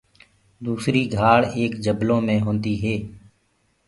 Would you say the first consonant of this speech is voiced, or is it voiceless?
voiced